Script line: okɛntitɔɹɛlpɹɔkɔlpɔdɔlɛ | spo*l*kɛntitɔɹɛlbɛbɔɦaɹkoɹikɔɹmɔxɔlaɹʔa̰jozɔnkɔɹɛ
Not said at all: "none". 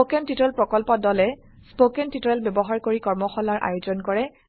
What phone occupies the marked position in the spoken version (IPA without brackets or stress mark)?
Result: none